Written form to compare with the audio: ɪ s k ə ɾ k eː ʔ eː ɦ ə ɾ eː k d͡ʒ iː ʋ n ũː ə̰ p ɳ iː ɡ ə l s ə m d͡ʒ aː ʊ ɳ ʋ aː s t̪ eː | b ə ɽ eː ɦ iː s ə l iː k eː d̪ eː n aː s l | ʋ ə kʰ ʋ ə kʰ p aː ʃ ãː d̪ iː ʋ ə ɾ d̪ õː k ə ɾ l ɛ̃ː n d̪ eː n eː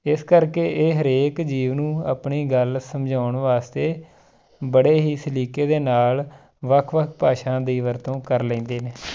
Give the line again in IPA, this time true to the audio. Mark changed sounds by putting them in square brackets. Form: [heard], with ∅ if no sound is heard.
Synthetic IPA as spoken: ɪ s k ə ɾ k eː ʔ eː ɦ ə ɾ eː k d͡ʒ iː ʋ n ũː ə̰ p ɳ iː ɡ ə l s ə m d͡ʒ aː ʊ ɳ ʋ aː s t̪ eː | b ə ɽ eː ɦ iː s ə l iː k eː d̪ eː n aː [∅] l | ʋ ə kʰ ʋ ə kʰ p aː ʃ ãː d̪ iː ʋ ə ɾ [t̪] õː k ə ɾ l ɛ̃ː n d̪ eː n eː